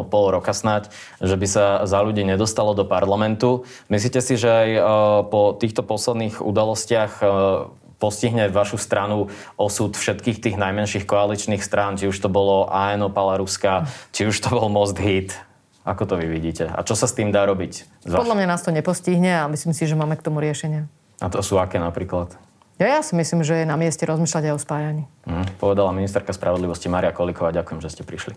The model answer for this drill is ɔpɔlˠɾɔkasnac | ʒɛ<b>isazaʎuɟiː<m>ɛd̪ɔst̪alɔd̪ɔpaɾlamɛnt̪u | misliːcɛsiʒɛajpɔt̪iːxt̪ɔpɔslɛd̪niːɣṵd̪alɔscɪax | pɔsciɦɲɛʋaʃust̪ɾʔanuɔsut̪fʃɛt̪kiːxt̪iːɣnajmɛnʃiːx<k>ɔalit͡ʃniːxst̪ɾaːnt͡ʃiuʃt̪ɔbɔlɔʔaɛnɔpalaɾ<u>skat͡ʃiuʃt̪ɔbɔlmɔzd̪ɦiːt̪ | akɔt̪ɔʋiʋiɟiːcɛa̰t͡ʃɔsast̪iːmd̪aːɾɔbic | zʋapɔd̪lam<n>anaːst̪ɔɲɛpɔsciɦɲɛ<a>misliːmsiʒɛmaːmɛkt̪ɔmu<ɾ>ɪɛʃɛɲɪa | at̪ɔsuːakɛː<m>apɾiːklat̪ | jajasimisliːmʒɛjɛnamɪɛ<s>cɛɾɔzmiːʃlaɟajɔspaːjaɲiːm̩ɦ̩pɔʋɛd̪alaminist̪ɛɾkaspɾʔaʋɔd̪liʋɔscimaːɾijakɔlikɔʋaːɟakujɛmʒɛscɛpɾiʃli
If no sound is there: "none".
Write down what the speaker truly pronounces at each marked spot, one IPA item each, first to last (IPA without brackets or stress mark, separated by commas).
b, ɲ, k, u, ɲ, a, ɾ, n, s